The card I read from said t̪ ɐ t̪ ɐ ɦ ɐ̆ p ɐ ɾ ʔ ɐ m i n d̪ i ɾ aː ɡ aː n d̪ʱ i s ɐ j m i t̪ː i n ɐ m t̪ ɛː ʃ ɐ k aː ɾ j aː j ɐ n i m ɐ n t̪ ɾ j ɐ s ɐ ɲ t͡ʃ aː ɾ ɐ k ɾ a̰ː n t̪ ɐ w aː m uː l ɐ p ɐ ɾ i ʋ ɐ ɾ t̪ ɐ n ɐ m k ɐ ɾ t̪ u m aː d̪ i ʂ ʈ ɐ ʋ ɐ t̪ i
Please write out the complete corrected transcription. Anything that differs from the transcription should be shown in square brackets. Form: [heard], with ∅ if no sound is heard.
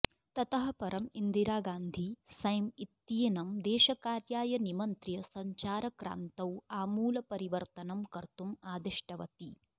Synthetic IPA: t̪ ɐ t̪ ɐ ɦ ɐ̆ p ɐ ɾ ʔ ɐ m i n d̪ i ɾ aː ɡ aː n d̪ʱ i s ɐ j m i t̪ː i n ɐ m [d̪] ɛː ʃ ɐ k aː ɾ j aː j ɐ n i m ɐ n t̪ ɾ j ɐ s ɐ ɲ t͡ʃ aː ɾ ɐ k ɾ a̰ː n t̪ ɐ w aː m uː l ɐ p ɐ ɾ i ʋ ɐ ɾ t̪ ɐ n ɐ m k ɐ ɾ t̪ u m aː d̪ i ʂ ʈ ɐ ʋ ɐ t̪ i